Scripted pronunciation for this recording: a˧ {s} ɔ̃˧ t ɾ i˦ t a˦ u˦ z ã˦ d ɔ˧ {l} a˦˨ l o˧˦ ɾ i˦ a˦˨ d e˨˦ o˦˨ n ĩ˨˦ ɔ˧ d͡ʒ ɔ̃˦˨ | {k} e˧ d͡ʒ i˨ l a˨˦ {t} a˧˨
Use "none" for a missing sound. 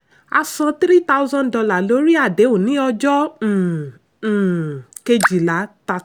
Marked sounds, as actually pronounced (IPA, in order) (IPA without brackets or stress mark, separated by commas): s, l, k, t